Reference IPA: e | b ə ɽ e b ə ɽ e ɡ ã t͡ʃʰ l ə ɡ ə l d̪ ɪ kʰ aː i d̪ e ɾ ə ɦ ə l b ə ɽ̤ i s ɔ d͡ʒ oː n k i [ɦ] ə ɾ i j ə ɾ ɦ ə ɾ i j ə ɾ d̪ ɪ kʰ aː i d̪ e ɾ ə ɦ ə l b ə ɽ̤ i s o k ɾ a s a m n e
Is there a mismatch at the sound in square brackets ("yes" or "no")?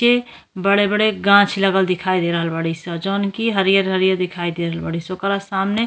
no